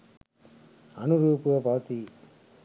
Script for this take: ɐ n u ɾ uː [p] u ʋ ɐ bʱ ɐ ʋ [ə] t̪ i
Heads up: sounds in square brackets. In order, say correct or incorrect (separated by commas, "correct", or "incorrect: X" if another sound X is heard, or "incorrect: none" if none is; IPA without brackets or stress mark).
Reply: correct, incorrect: ɐ